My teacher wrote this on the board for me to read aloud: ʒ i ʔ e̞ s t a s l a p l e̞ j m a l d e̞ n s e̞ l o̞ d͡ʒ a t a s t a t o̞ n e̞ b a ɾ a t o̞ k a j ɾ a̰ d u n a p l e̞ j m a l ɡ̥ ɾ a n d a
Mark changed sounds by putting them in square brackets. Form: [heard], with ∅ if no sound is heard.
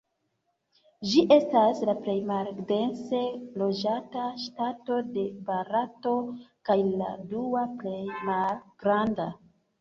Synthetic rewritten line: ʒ i ʔ e̞ s t a s l a p l e̞ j m a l d e̞ n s e̞ l o̞ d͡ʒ a t a [ʃ] t a t o̞ [d] e̞ b a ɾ a t o̞ k a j [l] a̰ d u [∅] a p l e̞ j m a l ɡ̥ ɾ a n d a